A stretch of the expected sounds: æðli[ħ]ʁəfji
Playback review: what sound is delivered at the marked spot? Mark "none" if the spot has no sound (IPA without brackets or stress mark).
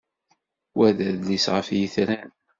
s